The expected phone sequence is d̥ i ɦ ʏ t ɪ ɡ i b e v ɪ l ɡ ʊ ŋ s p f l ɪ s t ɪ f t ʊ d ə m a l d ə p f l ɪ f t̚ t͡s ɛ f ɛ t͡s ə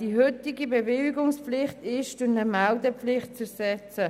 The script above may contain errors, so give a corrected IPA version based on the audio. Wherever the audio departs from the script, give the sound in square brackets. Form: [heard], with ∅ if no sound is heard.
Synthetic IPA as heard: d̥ i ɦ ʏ t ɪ ɡ i b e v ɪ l ɡ ʊ ŋ s p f l ɪ [χ] t ɪ [ʃ] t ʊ [n] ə m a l d ə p f l ɪ [χ] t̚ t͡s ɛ [s] ɛ t͡s ə